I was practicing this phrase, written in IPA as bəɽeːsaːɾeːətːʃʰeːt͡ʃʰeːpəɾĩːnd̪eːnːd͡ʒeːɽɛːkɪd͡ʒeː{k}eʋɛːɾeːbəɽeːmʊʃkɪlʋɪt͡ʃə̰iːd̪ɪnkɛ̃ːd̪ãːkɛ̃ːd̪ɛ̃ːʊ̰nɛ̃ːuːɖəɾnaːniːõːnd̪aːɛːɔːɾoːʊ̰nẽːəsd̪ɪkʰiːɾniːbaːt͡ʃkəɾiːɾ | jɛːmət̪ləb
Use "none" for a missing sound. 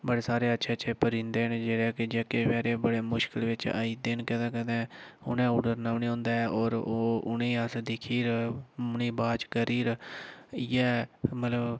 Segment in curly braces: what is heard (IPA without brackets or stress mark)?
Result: k